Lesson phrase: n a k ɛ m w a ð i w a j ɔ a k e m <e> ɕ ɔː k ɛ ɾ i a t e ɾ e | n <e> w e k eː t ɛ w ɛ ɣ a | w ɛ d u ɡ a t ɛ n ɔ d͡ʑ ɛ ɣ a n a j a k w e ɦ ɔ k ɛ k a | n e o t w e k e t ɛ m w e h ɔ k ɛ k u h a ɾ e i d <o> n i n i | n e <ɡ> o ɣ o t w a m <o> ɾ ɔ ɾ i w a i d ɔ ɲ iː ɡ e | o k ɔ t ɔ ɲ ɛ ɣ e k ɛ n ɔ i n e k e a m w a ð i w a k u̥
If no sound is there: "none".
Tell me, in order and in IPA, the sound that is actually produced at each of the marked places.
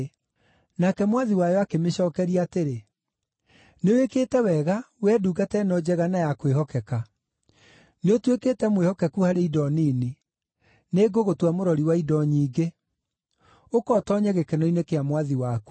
e, e, ɔ, ɡ, o

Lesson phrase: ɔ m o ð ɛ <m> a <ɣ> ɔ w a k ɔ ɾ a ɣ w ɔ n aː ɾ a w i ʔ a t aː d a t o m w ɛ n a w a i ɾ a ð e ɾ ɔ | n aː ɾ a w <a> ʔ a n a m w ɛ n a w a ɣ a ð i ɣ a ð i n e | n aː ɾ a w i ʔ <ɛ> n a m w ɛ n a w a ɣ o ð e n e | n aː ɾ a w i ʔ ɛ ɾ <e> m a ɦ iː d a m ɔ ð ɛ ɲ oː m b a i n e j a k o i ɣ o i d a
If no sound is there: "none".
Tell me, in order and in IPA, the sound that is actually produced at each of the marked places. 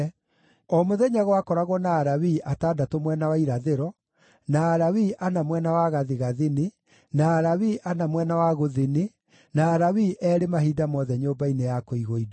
ɲ, ɣ, i, a, e

